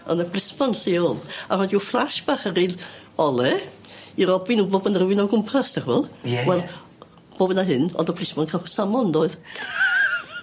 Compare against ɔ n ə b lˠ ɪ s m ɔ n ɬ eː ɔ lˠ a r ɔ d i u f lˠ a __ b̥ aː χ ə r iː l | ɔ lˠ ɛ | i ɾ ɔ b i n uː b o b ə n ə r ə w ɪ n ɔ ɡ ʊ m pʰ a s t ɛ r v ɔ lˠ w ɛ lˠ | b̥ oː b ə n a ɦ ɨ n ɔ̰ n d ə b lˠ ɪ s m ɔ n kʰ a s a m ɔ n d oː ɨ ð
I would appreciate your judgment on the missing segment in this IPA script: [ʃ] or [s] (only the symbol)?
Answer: ʃ